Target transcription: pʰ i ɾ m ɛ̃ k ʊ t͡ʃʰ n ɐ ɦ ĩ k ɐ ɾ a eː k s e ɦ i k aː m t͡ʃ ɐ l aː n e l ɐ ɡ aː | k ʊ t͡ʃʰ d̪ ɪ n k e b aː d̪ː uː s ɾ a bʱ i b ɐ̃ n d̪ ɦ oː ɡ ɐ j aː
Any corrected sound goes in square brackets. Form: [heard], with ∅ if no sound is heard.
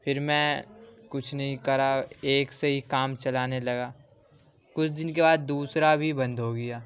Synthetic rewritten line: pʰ [ɪ] ɾ m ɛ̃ k ʊ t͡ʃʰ n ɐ ɦ ĩ k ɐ ɾ a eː k s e ɦ i k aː m t͡ʃ ɐ l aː n e l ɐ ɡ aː | k ʊ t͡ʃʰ d̪ ɪ n k e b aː d̪ː uː s ɾ a bʱ i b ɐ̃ n d̪ ɦ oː ɡ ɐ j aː